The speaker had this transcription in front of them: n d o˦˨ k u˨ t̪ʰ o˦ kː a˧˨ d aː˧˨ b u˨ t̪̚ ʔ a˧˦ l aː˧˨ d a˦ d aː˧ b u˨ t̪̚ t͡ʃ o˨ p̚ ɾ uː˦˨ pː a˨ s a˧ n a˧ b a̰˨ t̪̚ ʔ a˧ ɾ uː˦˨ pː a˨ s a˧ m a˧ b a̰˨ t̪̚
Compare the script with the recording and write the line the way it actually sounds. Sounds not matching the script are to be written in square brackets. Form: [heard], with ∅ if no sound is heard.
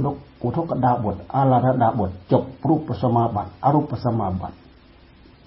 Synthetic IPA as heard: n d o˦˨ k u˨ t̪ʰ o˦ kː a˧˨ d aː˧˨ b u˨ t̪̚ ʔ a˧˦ l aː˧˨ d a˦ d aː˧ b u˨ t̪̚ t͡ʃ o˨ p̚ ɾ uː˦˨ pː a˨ s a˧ [m] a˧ b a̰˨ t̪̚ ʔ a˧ ɾ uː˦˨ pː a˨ s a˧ m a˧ b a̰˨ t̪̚